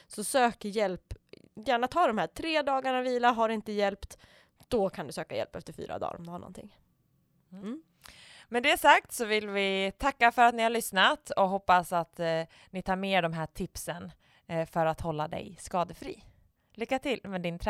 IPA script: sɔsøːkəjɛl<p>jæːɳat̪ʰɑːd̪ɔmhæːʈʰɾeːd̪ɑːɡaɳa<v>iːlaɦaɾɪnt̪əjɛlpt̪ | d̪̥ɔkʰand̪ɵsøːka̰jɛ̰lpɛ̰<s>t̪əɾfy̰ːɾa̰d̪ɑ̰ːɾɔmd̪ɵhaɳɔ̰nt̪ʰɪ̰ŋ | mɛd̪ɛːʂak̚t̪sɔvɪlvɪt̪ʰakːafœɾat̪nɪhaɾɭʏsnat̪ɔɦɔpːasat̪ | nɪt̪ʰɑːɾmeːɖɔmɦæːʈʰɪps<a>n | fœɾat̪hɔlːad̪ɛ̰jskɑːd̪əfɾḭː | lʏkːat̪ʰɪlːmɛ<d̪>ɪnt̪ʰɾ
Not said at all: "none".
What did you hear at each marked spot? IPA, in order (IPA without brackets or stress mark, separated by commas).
p, v, f, ə, d̪